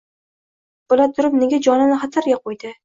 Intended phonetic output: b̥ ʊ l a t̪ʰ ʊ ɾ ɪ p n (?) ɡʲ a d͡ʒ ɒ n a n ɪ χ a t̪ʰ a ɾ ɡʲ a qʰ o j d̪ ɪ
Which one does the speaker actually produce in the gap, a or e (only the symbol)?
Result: e